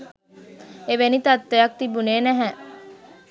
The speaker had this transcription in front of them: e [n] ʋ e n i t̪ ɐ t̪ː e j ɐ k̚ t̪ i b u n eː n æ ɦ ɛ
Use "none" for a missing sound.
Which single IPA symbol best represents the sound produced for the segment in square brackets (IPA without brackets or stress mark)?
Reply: none